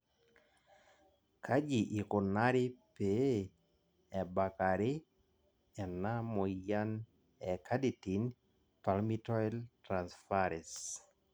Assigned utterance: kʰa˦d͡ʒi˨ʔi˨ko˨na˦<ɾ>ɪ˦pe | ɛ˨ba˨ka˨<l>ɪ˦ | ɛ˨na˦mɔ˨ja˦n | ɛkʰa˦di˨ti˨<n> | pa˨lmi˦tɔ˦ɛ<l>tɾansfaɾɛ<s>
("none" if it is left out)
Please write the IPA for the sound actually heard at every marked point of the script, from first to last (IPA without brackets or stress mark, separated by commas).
ɾ, ɾ, n, l, s